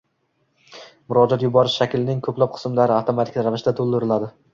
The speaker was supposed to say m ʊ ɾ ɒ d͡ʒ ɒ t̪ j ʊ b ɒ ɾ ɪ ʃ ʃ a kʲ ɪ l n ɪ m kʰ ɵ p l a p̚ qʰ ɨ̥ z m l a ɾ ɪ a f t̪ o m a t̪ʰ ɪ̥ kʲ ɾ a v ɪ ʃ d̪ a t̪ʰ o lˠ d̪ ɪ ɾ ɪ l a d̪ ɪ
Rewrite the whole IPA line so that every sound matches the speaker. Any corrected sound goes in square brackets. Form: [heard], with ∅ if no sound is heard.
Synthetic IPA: m ʊ ɾ ɒ d͡ʒ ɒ t̪ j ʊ b ɒ ɾ ɪ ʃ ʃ a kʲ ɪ l n ɪ [ŋ] kʰ ɵ p l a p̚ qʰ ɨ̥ [s] m l a ɾ ɪ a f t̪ o m a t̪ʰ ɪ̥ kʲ ɾ a v ɪ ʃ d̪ a t̪ʰ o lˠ d̪ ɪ ɾ ɪ l a d̪ ɪ